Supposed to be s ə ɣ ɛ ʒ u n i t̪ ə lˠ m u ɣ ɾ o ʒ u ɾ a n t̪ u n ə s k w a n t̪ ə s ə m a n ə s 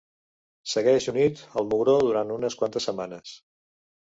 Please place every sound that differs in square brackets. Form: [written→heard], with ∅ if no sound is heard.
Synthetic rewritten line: s ə ɣ ɛ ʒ u n i t̪ ə lˠ m u ɣ ɾ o [ʒ→ð] u ɾ a n t̪ u n ə s k w a n t̪ ə s ə m a n ə s